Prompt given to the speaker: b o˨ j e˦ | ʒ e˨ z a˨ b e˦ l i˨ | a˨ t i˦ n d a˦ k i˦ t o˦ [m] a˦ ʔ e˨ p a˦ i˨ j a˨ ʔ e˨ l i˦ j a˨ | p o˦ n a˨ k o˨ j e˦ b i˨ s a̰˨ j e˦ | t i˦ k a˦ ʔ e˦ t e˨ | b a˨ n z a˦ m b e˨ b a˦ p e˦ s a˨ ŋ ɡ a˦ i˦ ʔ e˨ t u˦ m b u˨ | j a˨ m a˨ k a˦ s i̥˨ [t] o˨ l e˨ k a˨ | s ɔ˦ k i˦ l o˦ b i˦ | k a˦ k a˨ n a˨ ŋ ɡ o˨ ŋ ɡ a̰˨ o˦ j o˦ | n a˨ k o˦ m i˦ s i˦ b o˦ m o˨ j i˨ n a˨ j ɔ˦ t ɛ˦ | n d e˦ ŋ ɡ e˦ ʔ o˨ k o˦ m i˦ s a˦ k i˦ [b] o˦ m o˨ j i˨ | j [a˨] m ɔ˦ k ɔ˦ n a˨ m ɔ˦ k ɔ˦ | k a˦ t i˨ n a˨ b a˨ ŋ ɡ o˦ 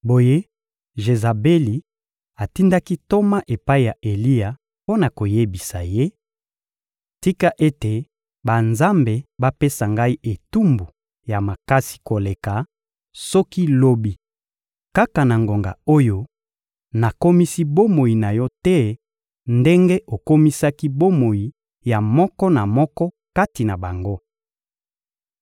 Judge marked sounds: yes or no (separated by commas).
yes, no, yes, yes